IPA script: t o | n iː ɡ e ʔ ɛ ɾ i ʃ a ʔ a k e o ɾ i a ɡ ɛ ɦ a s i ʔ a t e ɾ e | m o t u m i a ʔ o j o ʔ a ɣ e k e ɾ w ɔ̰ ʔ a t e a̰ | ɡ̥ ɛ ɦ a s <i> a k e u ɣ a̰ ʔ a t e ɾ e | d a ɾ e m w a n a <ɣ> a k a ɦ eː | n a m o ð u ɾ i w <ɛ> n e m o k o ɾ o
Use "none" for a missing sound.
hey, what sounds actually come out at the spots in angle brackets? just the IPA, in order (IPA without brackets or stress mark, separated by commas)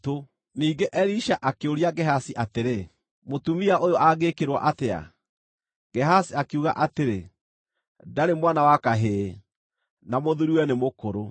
i, w, ɛ